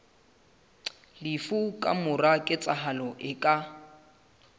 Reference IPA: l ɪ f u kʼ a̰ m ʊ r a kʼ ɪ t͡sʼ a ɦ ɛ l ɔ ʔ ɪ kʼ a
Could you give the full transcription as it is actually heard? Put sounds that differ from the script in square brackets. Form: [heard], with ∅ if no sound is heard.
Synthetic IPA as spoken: l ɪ f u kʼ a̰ m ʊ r a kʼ ɪ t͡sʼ a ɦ [a] l ɔ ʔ ɪ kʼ a